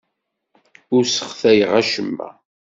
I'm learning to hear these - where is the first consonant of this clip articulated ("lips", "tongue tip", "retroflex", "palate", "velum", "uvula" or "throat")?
tongue tip